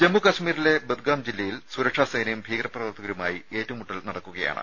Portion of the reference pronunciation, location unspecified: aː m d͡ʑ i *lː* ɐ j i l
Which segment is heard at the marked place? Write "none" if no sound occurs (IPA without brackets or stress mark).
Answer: lː